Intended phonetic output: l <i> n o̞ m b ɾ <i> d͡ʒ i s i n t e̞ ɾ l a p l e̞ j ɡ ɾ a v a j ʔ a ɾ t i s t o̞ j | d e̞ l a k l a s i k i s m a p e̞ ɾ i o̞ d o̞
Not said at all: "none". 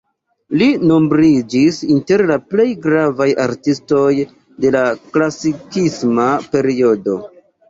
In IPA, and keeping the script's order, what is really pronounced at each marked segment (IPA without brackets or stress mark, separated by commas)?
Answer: i, i